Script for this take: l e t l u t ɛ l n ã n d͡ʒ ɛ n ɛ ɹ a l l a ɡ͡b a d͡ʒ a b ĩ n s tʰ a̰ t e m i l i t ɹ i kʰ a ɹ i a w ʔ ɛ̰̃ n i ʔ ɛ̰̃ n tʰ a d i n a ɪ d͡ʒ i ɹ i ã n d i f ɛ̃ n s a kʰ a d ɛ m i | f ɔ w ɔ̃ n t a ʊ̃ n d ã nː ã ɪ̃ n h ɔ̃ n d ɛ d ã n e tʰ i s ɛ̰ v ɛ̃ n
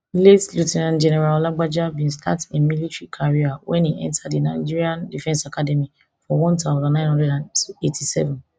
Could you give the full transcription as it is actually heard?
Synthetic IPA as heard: l e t l u t ɛ n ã n d͡ʒ ɛ n ɛ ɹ a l l a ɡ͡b a d͡ʒ a b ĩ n s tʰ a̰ t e m i l i t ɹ i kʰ a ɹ i a w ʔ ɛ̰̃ n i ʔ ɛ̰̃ n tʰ a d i n a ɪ d͡ʒ i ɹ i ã n d i f ɛ̃ n s a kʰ a d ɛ m i | f ɔ w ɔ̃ n t a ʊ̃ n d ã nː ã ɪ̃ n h ɔ̃ n d ɛ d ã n e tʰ i s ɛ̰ v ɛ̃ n